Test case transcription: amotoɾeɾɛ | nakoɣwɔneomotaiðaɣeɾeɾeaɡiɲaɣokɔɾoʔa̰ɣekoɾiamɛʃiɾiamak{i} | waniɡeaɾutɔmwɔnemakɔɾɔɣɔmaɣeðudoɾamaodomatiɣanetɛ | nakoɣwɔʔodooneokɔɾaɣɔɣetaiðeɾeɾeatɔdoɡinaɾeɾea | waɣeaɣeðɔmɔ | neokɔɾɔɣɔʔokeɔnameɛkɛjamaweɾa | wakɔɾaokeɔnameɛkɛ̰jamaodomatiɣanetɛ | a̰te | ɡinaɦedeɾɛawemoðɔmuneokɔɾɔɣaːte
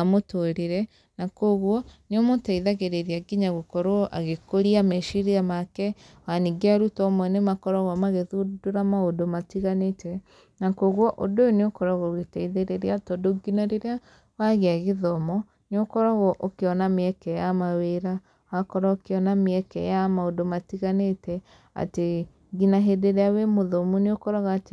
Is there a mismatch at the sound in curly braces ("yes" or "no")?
yes